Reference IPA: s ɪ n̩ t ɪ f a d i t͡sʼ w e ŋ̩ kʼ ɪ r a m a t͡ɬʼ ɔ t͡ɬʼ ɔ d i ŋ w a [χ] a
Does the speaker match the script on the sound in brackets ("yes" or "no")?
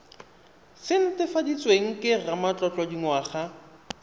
yes